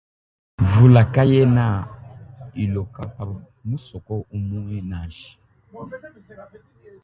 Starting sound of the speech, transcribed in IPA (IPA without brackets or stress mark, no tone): v